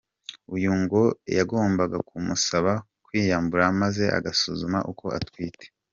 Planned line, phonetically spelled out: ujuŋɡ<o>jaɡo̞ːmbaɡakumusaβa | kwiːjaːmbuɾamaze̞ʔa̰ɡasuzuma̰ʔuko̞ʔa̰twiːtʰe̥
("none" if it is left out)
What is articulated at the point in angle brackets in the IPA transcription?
o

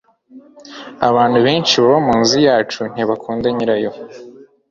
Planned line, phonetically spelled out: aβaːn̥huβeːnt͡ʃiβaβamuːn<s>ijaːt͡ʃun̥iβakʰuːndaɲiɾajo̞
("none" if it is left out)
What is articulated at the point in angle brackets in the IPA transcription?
z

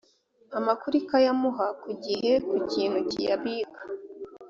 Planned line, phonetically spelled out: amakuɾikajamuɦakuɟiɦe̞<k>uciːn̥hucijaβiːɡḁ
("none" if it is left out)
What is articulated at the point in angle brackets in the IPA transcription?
k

